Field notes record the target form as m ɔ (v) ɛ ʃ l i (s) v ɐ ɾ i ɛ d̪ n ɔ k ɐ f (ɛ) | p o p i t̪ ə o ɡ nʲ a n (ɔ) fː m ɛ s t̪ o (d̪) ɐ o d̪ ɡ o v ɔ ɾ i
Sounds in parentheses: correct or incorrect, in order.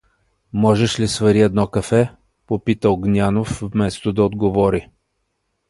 incorrect: ʒ, correct, correct, incorrect: o, correct

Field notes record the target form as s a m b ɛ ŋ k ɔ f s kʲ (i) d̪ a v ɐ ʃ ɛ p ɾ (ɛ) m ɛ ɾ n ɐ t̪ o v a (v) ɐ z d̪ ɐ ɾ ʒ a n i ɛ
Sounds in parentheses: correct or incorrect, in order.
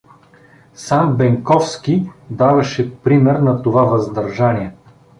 correct, incorrect: i, correct

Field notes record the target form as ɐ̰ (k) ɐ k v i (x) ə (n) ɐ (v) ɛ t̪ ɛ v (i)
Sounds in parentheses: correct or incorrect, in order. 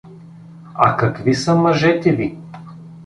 correct, incorrect: s, incorrect: m, incorrect: ʒ, correct

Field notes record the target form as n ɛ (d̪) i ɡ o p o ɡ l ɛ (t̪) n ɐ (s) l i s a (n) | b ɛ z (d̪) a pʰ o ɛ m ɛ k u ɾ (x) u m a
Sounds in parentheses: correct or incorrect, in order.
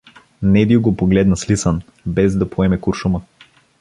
correct, incorrect: d̪, correct, correct, correct, incorrect: ʃ

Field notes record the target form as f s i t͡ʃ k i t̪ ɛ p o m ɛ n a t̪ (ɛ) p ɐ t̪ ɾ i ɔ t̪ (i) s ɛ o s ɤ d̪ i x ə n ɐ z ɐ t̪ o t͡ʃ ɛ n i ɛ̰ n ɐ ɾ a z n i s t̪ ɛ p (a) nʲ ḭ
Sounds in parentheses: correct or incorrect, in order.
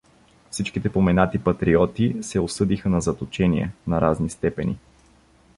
incorrect: i, correct, incorrect: ɛ

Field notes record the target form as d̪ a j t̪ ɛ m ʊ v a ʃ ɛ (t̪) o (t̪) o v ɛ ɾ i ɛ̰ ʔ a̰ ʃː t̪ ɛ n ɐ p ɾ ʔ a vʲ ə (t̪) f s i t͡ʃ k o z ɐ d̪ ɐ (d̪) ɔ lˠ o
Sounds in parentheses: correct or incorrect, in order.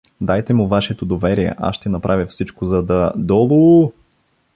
correct, incorrect: d̪, incorrect: none, correct

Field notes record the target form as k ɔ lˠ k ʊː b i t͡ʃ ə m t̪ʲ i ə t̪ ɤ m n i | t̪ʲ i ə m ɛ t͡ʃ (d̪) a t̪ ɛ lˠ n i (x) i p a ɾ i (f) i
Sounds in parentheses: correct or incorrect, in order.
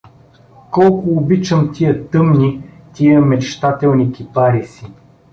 incorrect: t̪, incorrect: k, incorrect: s

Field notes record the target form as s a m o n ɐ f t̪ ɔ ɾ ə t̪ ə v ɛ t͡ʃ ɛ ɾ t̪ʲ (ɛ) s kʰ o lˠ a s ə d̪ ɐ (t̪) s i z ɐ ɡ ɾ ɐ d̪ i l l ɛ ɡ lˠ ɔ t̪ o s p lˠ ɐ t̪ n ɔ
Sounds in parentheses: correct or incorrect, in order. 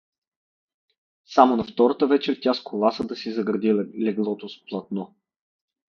incorrect: a, incorrect: none

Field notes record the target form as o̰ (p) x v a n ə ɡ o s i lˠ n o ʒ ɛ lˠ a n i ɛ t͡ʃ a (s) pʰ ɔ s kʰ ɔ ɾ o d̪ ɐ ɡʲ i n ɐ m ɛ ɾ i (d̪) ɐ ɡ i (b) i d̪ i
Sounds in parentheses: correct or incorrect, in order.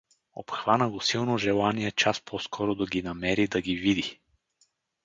correct, correct, correct, incorrect: v

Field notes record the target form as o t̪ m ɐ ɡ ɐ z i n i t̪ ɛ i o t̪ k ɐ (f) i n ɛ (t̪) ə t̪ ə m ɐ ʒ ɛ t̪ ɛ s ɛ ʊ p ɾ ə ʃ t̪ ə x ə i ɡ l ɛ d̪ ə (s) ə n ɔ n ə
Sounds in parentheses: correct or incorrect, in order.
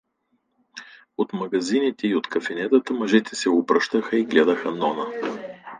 correct, correct, incorrect: x

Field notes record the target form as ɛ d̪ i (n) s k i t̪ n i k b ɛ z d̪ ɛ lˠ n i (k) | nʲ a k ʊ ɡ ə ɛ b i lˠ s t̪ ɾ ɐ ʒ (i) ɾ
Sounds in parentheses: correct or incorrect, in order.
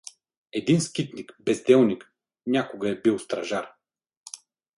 correct, correct, incorrect: a

